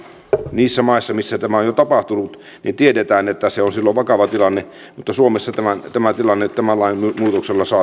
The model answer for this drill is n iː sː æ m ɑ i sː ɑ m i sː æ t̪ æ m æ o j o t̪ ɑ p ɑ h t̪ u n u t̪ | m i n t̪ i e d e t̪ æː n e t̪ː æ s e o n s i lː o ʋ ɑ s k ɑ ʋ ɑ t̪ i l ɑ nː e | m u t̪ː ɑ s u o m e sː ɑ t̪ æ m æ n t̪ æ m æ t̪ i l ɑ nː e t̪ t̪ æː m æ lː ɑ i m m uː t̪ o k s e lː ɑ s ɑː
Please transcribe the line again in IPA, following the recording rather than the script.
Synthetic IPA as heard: n iː sː æ m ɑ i sː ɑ m i sː æ t̪ æ m æ o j o t̪ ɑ p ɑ h t̪ u n u t̪ | n i n t̪ i e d e t̪ æː n e t̪ː æ s e o n s i lː o ʋ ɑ k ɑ ʋ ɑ t̪ i l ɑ nː e | m u t̪ː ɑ s u o m e sː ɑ t̪ æ m æ n t̪ æ m æ t̪ i l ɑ nː e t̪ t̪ æ m æ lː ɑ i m m uː t̪ o k s e lː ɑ s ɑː